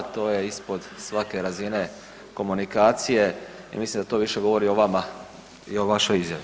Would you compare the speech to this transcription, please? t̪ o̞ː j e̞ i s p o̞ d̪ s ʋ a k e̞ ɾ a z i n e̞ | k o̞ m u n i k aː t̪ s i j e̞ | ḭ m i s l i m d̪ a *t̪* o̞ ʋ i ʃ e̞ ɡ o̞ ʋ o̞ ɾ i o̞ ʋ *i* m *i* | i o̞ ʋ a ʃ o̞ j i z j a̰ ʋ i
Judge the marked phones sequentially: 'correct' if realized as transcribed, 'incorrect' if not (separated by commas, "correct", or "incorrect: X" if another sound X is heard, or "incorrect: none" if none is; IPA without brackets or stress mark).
correct, incorrect: a, incorrect: a